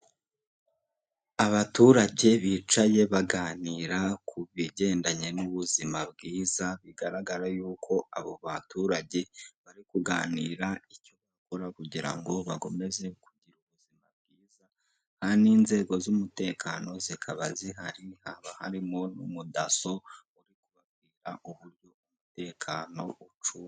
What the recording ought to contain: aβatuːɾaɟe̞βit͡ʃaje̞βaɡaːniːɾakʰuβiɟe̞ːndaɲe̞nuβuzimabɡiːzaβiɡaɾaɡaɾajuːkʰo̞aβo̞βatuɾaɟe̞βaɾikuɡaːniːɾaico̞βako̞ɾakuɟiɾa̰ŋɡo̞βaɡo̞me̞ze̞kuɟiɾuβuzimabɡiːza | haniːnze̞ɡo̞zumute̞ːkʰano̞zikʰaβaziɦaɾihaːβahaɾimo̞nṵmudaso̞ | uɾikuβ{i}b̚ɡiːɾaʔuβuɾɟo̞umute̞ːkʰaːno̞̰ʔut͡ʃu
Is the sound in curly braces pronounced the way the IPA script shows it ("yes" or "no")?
no